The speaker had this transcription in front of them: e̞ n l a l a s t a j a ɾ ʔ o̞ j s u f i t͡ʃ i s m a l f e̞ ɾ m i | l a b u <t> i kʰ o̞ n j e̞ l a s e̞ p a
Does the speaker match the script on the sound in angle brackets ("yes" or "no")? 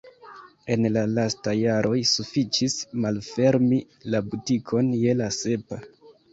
yes